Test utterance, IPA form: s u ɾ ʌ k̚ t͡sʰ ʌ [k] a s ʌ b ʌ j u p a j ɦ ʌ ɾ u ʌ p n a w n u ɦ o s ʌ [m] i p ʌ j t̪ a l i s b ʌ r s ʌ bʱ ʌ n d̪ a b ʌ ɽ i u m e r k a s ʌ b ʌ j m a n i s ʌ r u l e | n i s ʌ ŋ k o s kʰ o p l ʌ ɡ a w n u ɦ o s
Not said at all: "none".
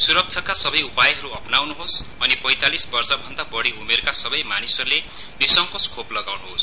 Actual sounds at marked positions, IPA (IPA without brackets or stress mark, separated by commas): k, n